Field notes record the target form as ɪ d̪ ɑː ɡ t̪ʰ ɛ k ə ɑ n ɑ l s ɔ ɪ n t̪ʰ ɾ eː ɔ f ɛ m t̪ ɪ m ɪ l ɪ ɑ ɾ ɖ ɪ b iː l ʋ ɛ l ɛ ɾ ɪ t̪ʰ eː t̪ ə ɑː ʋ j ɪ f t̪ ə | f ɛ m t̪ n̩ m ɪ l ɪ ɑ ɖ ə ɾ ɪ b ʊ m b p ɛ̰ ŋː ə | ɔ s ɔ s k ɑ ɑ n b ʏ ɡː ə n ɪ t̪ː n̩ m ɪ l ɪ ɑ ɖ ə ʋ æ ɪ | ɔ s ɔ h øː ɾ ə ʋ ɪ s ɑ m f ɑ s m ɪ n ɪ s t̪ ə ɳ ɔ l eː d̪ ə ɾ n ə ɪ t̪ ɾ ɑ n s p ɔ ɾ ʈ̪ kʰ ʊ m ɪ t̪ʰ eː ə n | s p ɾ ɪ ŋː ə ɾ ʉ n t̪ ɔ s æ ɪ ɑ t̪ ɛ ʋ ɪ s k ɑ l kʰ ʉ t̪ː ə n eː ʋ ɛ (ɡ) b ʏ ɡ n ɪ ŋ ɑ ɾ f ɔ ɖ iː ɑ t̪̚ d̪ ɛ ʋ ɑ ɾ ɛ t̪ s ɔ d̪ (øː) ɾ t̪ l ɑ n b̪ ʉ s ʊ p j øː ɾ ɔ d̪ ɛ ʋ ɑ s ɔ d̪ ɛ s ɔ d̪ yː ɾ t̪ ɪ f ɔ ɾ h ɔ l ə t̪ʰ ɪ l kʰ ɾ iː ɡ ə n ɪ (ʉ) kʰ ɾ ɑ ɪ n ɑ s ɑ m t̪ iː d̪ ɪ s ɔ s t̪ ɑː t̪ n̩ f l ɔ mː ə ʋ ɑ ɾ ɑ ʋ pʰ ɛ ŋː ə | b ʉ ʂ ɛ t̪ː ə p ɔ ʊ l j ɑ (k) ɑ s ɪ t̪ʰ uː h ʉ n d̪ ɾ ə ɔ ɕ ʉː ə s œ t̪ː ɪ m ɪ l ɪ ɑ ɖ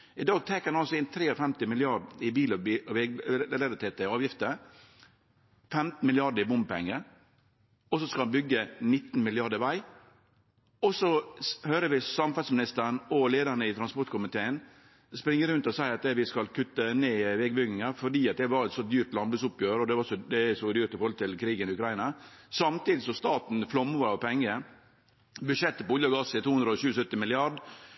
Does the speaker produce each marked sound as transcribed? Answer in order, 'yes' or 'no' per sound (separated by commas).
yes, no, yes, no